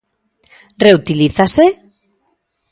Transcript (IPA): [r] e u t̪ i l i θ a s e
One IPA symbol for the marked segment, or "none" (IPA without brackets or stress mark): r